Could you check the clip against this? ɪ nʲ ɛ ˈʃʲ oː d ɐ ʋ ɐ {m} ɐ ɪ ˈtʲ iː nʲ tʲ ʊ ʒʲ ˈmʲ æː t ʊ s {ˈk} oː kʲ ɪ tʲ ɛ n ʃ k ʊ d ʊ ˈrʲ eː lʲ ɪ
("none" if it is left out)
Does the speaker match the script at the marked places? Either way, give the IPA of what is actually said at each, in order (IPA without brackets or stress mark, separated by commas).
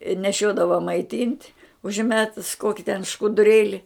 m, k